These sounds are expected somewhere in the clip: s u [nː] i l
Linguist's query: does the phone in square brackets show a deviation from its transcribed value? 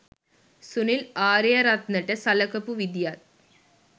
yes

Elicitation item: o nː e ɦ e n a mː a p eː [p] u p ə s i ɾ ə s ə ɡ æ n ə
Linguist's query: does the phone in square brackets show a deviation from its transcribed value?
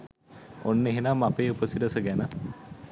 yes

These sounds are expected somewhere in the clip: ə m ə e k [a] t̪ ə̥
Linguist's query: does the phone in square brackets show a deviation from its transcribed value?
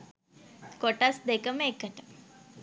yes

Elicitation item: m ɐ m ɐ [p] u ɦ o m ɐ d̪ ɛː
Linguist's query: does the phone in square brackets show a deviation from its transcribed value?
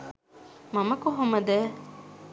yes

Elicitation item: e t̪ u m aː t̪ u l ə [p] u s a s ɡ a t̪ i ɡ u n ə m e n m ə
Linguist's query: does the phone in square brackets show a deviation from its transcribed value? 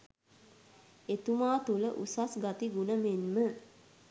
yes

